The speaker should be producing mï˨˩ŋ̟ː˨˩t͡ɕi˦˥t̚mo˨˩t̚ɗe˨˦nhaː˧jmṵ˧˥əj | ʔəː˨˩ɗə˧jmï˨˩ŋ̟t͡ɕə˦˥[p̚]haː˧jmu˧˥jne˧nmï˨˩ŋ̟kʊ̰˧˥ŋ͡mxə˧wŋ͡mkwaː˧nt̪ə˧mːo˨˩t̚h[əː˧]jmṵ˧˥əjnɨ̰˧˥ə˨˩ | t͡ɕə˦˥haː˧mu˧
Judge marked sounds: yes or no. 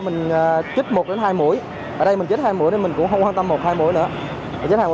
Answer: no, no

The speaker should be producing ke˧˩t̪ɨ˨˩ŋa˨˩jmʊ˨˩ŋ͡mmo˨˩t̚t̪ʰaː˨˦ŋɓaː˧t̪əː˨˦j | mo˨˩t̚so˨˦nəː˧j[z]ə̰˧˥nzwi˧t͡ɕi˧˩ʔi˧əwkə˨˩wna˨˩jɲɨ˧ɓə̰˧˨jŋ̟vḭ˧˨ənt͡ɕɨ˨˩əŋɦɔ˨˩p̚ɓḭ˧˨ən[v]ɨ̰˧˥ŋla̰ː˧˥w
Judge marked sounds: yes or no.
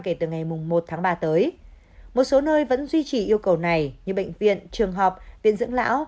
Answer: no, no

